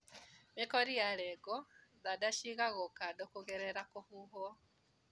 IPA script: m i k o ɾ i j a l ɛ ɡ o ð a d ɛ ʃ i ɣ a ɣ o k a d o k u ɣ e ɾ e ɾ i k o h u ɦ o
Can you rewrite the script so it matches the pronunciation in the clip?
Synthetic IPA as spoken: m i k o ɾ i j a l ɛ ɡ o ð a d a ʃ i ɣ a ɣ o k a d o k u ɣ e ɾ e ɾ a k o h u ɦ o